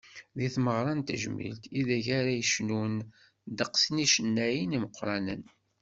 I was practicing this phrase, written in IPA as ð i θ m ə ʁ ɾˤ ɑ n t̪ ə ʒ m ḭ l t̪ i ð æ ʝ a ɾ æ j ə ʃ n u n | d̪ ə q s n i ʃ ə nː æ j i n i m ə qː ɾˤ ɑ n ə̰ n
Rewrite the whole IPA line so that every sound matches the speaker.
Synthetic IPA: ð i θ m ə ʁ ɾˤ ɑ n t̪ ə ʒ m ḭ l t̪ i ð æ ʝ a ɾ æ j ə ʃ n u n | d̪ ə q s n i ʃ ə nː æ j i n i m ə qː ɾˤ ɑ n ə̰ n